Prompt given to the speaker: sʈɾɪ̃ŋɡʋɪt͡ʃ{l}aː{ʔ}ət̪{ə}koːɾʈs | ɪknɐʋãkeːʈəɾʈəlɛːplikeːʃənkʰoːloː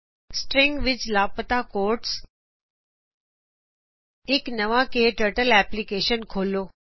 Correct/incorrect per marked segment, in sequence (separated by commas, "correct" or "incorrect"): correct, incorrect, incorrect